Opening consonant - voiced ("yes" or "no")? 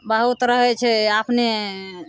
yes